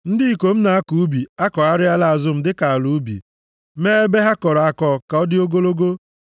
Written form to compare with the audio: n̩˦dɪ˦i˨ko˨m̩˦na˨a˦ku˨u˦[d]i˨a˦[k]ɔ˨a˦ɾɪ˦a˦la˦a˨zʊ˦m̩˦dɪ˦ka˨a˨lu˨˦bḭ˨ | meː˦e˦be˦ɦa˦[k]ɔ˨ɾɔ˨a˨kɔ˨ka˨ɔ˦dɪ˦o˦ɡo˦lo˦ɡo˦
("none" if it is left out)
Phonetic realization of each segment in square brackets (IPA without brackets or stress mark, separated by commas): b, k, k